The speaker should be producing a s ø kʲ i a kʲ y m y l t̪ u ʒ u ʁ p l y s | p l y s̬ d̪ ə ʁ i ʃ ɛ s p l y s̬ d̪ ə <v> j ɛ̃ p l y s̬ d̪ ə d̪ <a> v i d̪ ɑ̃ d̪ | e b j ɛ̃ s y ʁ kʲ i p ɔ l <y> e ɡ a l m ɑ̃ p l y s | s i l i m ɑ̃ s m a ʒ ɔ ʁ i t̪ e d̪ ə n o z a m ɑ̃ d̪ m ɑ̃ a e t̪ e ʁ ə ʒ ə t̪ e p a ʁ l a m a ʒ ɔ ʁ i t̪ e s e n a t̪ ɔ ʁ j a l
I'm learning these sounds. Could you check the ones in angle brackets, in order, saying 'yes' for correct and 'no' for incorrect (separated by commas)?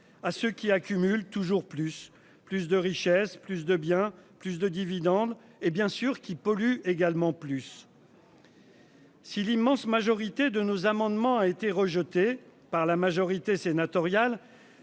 no, no, yes